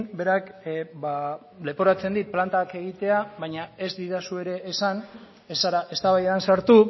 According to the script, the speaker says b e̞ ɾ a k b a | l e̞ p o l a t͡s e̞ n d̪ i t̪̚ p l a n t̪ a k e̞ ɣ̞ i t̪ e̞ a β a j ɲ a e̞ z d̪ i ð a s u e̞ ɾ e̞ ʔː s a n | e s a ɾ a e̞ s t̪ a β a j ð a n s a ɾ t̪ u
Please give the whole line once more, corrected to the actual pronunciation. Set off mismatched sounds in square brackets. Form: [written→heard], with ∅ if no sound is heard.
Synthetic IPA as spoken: b e̞ ɾ a k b a | l e̞ p o [l→ɾ] a t͡s e̞ n d̪ i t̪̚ p l a n t̪ a k e̞ ɣ̞ i t̪ e̞ a β a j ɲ a e̞ z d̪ i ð a s u e̞ ɾ e̞ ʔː s a n | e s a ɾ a e̞ s t̪ a β a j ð a n s a ɾ t̪ u

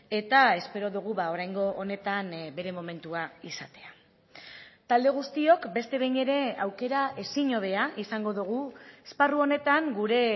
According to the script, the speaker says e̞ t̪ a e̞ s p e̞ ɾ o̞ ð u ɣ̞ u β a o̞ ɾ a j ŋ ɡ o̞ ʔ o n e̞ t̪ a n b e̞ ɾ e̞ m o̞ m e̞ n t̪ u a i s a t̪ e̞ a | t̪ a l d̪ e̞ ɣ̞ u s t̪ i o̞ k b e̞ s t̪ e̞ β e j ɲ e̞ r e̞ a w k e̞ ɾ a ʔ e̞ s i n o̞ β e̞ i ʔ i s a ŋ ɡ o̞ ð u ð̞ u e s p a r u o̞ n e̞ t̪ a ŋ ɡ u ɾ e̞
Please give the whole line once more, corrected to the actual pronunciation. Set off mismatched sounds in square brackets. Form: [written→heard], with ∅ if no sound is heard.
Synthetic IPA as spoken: e̞ t̪ a e̞ s p e̞ ɾ o̞ ð u ɣ̞ u β a o̞ ɾ a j ŋ ɡ o̞ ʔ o n e̞ t̪ a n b e̞ ɾ e̞ m o̞ m e̞ n t̪ u a i s a t̪ e̞ a | t̪ a l d̪ e̞ ɣ̞ u s t̪ i o̞ k b e̞ s t̪ e̞ β e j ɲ e̞ [r→ɾ] e̞ a w k e̞ ɾ a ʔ e̞ s i [n→ɲ] o̞ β e̞ [i→a] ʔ i s a ŋ ɡ o̞ ð u [ð̞→ɣ̞] u e s p a r u o̞ n e̞ t̪ a ŋ ɡ u ɾ e̞

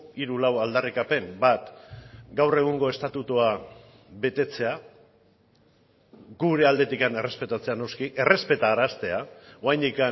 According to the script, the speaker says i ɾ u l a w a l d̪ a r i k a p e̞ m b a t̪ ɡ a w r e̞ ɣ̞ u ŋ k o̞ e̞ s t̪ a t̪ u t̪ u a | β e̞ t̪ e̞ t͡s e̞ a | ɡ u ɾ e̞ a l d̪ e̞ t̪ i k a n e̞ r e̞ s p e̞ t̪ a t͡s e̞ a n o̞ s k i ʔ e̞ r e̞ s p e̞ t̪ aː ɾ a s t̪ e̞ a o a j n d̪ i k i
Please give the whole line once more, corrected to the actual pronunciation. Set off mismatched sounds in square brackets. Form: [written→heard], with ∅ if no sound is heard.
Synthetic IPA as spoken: i ɾ u l a w a l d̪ a r i k a p e̞ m b a t̪ ɡ a w r e̞ ɣ̞ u ŋ [k→ɡ] o̞ e̞ s t̪ a t̪ u t̪ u a | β e̞ t̪ e̞ t͡s e̞ a | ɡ u ɾ e̞ a l d̪ e̞ t̪ i k a n e̞ r e̞ s p e̞ t̪ a t͡s e̞ a n o̞ s k i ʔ e̞ r e̞ s p e̞ t̪ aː ɾ a s t̪ e̞ a o a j n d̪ i k [i→a]

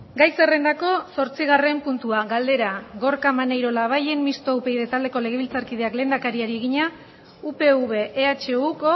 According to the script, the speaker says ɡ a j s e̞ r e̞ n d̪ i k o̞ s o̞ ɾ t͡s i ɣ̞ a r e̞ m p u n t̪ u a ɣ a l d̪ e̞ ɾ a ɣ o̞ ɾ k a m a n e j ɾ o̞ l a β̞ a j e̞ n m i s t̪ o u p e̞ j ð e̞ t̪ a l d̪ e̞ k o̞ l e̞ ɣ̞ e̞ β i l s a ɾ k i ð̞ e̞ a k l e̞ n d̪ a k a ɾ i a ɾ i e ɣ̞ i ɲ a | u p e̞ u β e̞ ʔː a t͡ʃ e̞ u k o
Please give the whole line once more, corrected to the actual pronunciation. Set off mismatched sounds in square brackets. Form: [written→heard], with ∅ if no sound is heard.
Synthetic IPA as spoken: ɡ a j s e̞ r e̞ n d̪ [i→a] k o̞ s o̞ ɾ t͡s i ɣ̞ a r e̞ m p u n t̪ u a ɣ a l d̪ e̞ ɾ a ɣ o̞ ɾ k a m a n e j ɾ o̞ l a β̞ a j e̞ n m i s t̪ o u p e̞ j ð e̞ t̪ a l d̪ e̞ k o̞ l e̞ ɣ̞ e̞ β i l [s→t͡s] a ɾ k i ð̞ e̞ a k l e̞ n d̪ a k a ɾ i a ɾ i e ɣ̞ i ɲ a | u p e̞ u β e̞ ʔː a t͡ʃ e̞ u k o

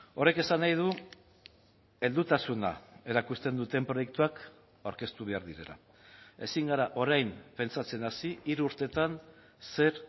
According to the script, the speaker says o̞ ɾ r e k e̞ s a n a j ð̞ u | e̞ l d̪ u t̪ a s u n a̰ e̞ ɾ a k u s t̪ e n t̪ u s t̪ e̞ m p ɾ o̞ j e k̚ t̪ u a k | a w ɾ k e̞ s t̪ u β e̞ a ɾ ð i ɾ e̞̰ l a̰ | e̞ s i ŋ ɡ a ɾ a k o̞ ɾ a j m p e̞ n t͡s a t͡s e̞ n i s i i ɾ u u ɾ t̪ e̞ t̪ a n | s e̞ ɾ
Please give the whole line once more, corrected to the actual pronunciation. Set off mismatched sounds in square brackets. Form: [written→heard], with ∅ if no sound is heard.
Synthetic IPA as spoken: o̞ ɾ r e k e̞ s a n a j ð̞ u | e̞ l d̪ u t̪ a s u n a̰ e̞ ɾ a k u s t̪ e n [t̪→d̪] u [s→∅] t̪ e̞ m p ɾ o̞ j e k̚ t̪ u a k | a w ɾ k e̞ s t̪ u β e̞ a ɾ ð i ɾ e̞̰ l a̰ | e̞ s i ŋ ɡ a ɾ a [k→ʔ] o̞ ɾ a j m p e̞ n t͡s a t͡s e̞ n [i→a] s i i ɾ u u ɾ t̪ e̞ t̪ a n | s e̞ ɾ

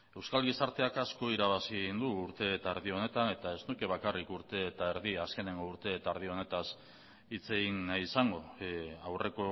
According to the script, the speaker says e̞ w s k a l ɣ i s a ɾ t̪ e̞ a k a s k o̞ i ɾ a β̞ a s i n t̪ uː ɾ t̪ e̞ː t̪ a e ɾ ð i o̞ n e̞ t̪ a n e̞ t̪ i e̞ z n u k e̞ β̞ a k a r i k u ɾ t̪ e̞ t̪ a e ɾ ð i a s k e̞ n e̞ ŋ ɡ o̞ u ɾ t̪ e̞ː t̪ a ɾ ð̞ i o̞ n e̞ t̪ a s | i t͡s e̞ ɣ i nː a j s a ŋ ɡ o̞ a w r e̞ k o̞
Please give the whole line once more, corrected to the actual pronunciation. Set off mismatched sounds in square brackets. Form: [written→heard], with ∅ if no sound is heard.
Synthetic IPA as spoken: e̞ w s k a l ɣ i s a ɾ t̪ e̞ a k a s k o̞ i ɾ a β̞ a s i n [t̪→d̪] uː ɾ t̪ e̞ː t̪ a e ɾ ð i o̞ n e̞ t̪ a n e̞ t̪ [i→a] e̞ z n u k e̞ β̞ a k a r i k u ɾ t̪ e̞ t̪ a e ɾ ð i a s k e̞ n e̞ ŋ ɡ o̞ u ɾ t̪ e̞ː t̪ a ɾ ð̞ i o̞ n e̞ t̪ a s | i t͡s e̞ ɣ i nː a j s a ŋ ɡ o̞ a w r e̞ k o̞

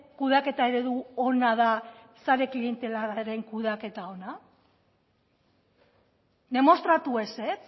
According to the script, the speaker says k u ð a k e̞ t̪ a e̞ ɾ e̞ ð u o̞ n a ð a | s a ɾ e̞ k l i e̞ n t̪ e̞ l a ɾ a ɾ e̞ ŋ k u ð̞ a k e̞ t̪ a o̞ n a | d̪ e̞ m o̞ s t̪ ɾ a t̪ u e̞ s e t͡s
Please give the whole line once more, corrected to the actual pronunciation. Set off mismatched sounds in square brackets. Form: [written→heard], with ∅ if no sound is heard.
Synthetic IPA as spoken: k u ð a k e̞ t̪ a e̞ ɾ e̞ ð u o̞ n a ð a | s a ɾ e̞ k l i e̞ n t̪ e̞ l a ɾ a ɾ e̞ ŋ k u ð̞ a k e̞ t̪ a o̞ n a | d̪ e̞ m o̞ s t̪ ɾ a t̪ u e̞ s e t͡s

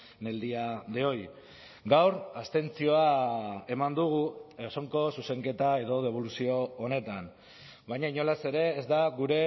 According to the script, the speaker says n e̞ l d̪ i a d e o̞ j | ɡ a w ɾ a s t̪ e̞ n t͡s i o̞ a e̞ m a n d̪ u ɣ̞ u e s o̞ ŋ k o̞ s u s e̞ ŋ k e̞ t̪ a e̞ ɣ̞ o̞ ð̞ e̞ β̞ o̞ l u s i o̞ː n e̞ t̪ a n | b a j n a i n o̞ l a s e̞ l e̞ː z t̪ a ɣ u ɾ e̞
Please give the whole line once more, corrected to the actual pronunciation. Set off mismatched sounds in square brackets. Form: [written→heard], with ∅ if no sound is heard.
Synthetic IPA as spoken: n e̞ l d̪ i a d e o̞ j | ɡ a w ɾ a s t̪ e̞ n t͡s i o̞ a e̞ m a n d̪ u ɣ̞ u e s o̞ ŋ k o̞ s u s e̞ ŋ k e̞ t̪ a e̞ [ɣ̞→ð̞] o̞ ð̞ e̞ β̞ o̞ l u s i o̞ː n e̞ t̪ a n | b a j [n→ɲ] a i [n→ɲ] o̞ l a s e̞ [l→ɾ] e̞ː z [t̪→d̪] a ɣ u ɾ e̞

